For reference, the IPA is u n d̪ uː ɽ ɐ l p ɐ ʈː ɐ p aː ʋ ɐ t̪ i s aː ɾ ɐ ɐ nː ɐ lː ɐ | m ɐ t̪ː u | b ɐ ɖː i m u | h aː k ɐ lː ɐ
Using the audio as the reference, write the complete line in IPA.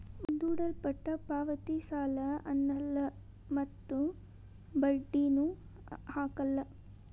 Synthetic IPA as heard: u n d̪ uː ɽ ɐ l p ɐ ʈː ɐ p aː ʋ ɐ t̪ i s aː l ɐ ɐ nː ɐ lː ɐ | m ɐ t̪ː u | b ɐ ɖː i n u | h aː k ɐ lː ɐ

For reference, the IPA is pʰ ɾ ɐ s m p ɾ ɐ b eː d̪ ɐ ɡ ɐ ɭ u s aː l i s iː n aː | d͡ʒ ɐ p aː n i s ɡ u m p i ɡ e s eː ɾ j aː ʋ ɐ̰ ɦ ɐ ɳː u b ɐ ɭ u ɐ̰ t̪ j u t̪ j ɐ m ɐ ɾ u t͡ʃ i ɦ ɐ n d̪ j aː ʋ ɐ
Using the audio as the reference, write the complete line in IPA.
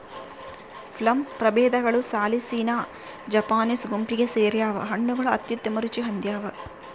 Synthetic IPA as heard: pʰ l ɐ m p ɾ ɐ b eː d̪ ɐ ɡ ɐ ɭ u s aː l i s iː n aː | d͡ʒ ɐ p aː n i s ɡ u m p i ɡ e s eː ɾ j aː ʋ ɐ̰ ɦ ɐ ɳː u ɡ ɐ ɭ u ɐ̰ t̪ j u t̪ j ɐ m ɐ ɾ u t͡ʃ i ɦ ɐ n d̪ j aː ʋ ɐ

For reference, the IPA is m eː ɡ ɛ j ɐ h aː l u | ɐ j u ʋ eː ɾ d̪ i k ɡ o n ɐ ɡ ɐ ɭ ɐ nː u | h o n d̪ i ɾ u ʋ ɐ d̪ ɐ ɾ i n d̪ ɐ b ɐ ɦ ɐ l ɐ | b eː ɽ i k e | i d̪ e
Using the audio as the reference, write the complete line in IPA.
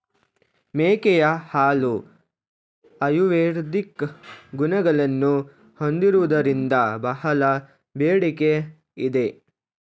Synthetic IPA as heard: m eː k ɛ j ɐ h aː l u | ɐ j u ʋ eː ɾ d̪ i k ɡ u n ɐ ɡ ɐ ɭ ɐ nː u | h o n d̪ i ɾ u ʋ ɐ d̪ ɐ ɾ i n d̪ ɐ b ɐ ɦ ɐ l ɐ | b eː ɽ i k e | i d̪ e

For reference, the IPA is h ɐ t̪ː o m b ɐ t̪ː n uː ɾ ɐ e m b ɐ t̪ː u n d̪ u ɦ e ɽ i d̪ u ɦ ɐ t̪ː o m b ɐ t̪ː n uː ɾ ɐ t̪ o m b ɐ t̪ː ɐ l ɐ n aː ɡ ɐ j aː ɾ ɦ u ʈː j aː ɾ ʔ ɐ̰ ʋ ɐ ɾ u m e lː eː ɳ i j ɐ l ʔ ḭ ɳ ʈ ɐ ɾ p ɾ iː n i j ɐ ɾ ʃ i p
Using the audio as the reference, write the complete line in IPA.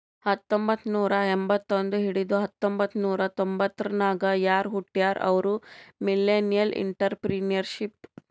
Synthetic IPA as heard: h ɐ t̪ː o m b ɐ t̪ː n uː ɾ ɐ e m b ɐ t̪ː o n d̪ u ɦ i ɽ i d̪ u ɦ ɐ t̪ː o m b ɐ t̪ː n uː ɾ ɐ t̪ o m b ɐ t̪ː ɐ ɾ ɐ n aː ɡ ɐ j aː ɾ ɦ u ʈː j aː ɾ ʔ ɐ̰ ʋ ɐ ɾ u m i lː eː n i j ɐ l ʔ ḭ ɳ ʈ ɐ ɾ p ɾ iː n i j ɐ ɾ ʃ i p

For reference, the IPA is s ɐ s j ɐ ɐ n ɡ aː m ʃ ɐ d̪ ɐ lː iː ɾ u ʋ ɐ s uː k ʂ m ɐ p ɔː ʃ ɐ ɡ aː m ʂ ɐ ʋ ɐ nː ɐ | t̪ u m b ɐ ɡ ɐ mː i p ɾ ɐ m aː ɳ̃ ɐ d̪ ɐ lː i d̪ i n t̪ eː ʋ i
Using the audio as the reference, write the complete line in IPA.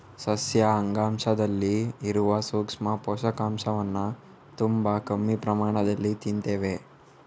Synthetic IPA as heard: s ɐ s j ɐ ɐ ŋ ɡ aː m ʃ ɐ d̪ ɐ lː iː ɾ u ʋ ɐ s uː k ʂ m ɐ p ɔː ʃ ɐ k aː m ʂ ɐ ʋ ɐ nː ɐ | t̪ u m b ɐ k ɐ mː i p ɾ ɐ m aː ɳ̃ ɐ d̪ ɐ lː i t̪ i n t̪ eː ʋ e

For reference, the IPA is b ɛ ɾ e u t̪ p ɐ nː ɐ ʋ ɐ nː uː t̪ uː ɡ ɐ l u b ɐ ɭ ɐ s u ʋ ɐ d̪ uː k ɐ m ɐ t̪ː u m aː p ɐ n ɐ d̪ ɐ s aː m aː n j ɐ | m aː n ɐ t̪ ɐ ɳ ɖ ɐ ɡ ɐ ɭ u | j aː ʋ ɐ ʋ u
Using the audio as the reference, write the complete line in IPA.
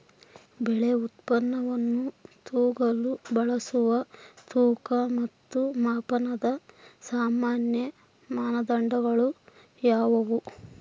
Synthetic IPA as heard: b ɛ ɭ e u t̪ p ɐ nː ɐ ʋ ɐ nː u t̪ uː ɡ ɐ l u b ɐ ɭ ɐ s u ʋ ɐ t̪ uː k ɐ m ɐ t̪ː u m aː p ɐ n ɐ d̪ ɐ s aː m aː n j ɐ | m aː n ɐ d̪ ɐ ɳ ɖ ɐ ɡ ɐ ɭ u | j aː ʋ ɐ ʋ u

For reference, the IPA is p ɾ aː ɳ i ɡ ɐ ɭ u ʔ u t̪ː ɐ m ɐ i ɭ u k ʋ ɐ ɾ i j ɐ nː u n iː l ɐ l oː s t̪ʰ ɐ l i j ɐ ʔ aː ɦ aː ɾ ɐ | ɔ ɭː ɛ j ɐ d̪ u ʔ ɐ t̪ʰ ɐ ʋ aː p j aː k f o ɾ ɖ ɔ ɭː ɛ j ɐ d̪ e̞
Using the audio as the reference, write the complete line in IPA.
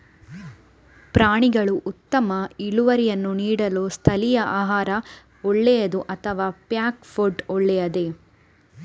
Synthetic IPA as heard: p ɾ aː ɳ i ɡ ɐ ɭ u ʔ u t̪ː ɐ m ɐ i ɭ u ʋ ɐ ɾ i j ɐ nː u n iː ɽ ɐ l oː s t̪ʰ ɐ l i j ɐ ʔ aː ɦ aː ɾ ɐ | ɔ ɭː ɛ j ɐ d̪ u ʔ ɐ t̪ʰ ɐ ʋ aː p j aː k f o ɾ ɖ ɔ ɭː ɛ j ɐ d̪ e̞

